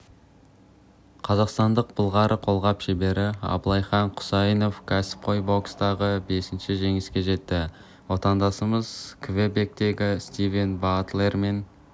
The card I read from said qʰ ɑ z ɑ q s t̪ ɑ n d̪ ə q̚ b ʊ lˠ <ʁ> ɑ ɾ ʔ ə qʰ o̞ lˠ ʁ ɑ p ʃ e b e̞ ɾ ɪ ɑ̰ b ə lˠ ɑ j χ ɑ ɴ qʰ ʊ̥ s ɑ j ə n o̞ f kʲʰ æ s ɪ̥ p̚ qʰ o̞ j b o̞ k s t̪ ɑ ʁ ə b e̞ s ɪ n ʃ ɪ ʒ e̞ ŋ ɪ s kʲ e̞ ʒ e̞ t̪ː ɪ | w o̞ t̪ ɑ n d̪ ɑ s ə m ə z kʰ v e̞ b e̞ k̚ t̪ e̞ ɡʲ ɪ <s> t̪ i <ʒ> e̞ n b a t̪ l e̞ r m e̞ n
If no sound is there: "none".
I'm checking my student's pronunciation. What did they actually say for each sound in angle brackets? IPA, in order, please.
ʁ, s, v

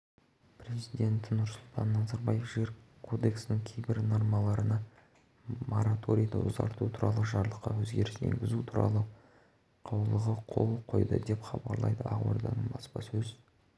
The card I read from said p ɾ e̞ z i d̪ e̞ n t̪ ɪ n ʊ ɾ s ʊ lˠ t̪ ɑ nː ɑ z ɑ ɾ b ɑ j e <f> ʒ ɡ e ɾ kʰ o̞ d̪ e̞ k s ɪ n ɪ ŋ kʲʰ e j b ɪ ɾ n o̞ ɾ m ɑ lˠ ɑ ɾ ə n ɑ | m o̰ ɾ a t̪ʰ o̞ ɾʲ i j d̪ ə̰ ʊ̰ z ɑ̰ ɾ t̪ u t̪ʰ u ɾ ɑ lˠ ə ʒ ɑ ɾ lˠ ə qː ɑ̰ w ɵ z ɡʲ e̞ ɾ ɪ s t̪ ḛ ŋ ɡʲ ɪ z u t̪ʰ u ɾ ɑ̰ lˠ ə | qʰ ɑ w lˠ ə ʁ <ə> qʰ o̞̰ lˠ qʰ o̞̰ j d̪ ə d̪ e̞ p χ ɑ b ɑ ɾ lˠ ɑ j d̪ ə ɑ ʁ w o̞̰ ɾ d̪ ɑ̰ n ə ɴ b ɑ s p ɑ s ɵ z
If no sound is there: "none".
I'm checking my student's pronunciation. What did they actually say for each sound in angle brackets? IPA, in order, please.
f, ə

